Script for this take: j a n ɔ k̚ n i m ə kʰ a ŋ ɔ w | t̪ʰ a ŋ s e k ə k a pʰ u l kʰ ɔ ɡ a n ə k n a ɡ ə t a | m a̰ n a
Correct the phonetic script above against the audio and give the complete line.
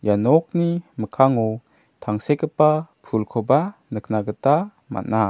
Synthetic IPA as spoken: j a n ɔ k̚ n i m ə kʰ a ŋ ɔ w | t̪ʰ a ŋ s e k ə p a pʰ u l kʰ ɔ b a n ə k n a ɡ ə t a | m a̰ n a